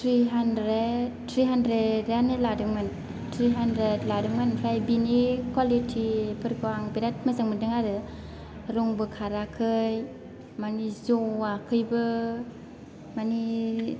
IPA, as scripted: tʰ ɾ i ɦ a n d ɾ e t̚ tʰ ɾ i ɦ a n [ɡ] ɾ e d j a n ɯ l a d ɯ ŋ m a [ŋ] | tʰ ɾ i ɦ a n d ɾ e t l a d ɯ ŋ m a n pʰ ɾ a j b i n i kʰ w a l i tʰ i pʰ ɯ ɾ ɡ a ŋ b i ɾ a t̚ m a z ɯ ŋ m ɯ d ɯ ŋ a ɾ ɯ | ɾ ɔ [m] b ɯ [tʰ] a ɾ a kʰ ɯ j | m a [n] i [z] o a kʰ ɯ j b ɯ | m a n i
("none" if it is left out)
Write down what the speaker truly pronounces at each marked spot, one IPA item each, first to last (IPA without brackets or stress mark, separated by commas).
d, n, ŋ, kʰ, n, z